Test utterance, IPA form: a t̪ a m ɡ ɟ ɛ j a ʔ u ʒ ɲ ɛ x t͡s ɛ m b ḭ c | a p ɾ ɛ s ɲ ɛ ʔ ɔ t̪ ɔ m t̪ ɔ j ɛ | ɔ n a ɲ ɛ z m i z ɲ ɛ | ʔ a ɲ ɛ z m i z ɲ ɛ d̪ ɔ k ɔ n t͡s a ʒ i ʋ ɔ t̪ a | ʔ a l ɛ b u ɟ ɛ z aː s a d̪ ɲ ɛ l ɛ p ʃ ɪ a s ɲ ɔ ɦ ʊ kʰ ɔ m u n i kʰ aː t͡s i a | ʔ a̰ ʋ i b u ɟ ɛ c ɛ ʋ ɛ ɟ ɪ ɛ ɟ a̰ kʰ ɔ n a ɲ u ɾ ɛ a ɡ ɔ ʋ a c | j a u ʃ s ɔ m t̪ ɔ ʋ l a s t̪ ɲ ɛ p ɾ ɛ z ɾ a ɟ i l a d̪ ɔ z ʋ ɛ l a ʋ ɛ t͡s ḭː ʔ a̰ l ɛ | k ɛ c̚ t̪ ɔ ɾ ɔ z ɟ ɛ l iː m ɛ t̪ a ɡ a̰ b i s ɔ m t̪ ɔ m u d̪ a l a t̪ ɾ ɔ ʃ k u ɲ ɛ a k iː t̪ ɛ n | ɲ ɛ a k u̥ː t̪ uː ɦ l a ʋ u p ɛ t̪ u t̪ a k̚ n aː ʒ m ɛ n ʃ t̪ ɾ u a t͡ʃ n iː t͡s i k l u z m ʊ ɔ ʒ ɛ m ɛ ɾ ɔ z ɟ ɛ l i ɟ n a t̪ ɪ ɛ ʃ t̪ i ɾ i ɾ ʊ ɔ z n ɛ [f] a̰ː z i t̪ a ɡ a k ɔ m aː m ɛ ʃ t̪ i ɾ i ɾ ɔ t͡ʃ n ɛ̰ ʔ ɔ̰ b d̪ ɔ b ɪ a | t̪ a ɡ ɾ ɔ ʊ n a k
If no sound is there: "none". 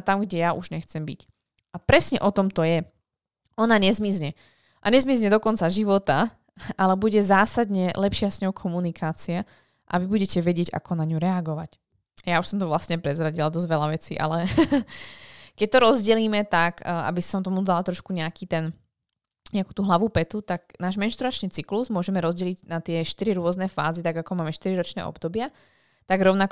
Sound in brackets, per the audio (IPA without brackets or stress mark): f